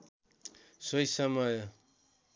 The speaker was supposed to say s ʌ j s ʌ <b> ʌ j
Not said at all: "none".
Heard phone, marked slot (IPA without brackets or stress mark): m